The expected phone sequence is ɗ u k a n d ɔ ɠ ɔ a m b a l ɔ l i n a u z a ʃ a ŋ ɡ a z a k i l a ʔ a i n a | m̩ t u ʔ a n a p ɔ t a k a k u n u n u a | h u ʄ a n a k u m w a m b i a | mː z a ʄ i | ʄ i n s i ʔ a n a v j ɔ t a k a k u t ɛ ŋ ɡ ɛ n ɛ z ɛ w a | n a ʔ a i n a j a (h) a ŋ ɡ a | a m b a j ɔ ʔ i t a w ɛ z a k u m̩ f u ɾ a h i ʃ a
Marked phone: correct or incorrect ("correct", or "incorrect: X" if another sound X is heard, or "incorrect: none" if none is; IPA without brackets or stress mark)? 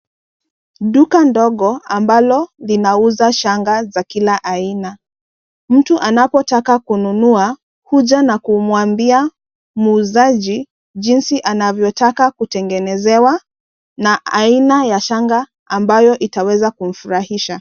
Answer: incorrect: ʃ